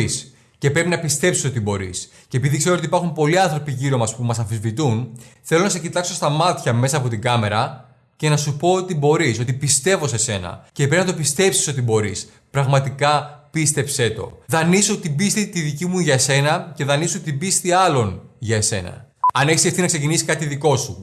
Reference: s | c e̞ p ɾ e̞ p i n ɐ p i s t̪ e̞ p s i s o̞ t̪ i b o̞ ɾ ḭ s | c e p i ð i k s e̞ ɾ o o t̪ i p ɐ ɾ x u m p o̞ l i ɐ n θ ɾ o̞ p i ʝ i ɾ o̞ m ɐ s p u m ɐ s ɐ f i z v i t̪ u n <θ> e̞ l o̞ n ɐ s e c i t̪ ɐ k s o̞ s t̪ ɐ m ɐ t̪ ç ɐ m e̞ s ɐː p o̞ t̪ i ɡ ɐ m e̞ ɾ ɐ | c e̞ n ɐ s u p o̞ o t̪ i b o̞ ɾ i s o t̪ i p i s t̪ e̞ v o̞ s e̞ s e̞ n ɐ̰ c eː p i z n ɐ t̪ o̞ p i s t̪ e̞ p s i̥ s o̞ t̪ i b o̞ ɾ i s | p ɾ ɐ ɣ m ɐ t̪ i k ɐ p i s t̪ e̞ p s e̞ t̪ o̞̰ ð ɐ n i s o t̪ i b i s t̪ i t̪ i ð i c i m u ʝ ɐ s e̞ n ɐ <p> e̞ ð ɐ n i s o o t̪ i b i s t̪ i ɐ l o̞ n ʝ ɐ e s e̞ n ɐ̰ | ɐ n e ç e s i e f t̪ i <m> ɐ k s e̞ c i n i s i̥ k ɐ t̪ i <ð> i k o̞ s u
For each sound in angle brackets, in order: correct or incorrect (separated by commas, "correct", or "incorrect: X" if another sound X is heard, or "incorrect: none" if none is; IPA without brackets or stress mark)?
correct, incorrect: c, incorrect: n, correct